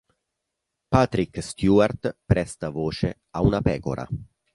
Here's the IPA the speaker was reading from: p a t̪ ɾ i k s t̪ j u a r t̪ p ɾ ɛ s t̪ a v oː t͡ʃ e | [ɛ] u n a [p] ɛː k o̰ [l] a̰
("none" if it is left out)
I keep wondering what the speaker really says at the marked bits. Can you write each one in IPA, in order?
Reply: a, p, ɾ

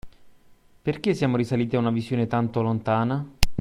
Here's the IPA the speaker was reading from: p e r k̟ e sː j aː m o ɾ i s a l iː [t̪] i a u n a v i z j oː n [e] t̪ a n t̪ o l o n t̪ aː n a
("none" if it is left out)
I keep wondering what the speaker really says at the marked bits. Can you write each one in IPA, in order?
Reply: t̪, e

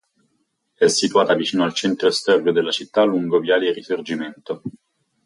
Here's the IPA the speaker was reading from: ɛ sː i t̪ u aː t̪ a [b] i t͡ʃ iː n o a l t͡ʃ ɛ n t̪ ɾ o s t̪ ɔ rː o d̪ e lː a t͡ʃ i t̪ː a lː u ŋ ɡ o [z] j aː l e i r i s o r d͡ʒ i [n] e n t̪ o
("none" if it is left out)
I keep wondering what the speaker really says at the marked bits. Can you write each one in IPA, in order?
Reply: v, v, m

